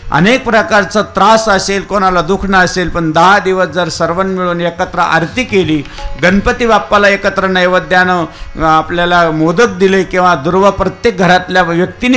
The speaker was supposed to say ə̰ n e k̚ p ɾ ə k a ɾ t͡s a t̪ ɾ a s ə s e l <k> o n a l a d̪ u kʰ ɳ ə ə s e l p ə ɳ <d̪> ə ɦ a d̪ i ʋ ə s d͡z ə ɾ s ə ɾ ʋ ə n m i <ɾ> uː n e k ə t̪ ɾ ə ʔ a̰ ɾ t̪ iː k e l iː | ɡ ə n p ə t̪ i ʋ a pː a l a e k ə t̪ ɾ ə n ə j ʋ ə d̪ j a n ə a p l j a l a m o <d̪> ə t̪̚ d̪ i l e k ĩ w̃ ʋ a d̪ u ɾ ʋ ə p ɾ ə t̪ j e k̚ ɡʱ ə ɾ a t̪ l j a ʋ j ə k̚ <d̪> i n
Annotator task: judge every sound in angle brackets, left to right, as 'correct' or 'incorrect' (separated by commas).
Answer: correct, correct, incorrect, correct, incorrect